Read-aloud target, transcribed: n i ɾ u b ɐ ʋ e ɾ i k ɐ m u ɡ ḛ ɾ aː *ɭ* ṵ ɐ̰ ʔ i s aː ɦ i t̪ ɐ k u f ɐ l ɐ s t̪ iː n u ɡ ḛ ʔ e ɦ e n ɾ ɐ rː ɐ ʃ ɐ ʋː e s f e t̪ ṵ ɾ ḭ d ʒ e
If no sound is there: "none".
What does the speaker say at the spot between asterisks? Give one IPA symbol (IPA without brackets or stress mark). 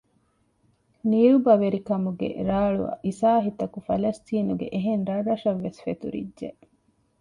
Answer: ɭ